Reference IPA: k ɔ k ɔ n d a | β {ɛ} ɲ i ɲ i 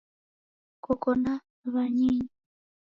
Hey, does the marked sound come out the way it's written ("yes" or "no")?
no